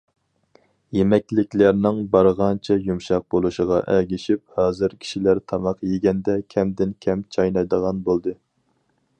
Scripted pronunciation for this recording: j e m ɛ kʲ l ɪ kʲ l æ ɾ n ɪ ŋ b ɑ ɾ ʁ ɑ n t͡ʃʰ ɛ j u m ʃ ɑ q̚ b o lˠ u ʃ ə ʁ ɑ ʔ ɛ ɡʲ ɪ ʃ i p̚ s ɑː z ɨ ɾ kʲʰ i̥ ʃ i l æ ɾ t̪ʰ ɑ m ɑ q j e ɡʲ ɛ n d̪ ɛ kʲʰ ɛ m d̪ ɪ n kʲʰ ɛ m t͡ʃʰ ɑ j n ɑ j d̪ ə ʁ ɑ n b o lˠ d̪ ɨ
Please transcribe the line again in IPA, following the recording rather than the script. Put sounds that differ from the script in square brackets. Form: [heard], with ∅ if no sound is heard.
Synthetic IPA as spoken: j e m ɛ kʲ l ɪ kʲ l æ ɾ n ɪ ŋ b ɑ ɾ ʁ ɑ n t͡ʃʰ ɛ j u m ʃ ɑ q̚ b o lˠ u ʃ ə ʁ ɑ ʔ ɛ ɡʲ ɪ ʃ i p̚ [h] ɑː z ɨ ɾ kʲʰ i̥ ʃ i l æ ɾ t̪ʰ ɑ m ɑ q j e ɡʲ ɛ n d̪ ɛ kʲʰ ɛ m d̪ ɪ n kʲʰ ɛ m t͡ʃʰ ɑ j n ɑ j d̪ ə ʁ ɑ n b o lˠ d̪ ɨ